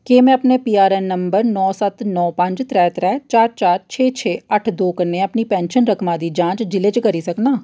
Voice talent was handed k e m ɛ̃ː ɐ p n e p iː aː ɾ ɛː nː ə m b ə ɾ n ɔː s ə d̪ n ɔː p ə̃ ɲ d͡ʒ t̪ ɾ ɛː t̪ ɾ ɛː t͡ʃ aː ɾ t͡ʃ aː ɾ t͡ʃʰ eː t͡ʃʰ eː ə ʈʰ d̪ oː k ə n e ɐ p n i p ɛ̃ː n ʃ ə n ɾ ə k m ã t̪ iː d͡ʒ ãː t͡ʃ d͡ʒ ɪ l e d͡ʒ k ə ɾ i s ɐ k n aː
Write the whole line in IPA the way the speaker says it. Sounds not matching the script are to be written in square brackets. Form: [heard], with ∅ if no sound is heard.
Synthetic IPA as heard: k e m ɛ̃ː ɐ p n e p iː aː ɾ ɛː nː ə m b ə ɾ n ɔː s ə [t̪] n ɔː p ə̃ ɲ d͡ʒ t̪ ɾ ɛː t̪ ɾ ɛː t͡ʃ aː ɾ t͡ʃ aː ɾ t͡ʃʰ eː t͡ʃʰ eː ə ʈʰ d̪ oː k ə n e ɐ p n i p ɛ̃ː n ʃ ə n ɾ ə k m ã [d̪] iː d͡ʒ ãː t͡ʃ d͡ʒ ɪ l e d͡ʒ k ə ɾ i s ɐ k n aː